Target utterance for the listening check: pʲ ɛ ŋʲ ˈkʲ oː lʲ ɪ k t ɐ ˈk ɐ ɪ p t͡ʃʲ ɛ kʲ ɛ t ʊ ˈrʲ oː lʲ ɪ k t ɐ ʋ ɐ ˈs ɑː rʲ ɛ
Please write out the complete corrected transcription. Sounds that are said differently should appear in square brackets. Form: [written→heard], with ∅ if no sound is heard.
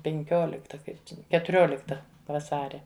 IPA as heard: pʲ ɛ ŋʲ ˈkʲ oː lʲ ɪ k t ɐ ˈk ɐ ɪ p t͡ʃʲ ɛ kʲ ɛ t ʊ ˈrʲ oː lʲ ɪ k t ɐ ʋ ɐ ˈs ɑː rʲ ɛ